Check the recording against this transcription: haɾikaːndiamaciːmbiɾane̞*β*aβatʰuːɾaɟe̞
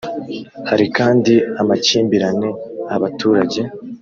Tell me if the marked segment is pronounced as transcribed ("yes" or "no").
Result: no